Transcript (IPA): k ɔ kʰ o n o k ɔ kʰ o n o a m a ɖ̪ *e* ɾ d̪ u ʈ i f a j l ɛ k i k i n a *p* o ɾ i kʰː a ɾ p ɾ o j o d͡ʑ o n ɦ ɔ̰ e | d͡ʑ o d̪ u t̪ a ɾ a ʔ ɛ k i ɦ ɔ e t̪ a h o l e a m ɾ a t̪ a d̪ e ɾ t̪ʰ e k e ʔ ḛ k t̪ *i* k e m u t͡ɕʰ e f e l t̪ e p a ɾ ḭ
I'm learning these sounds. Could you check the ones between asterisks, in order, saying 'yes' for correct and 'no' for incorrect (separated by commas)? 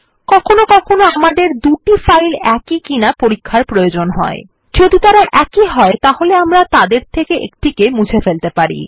yes, yes, yes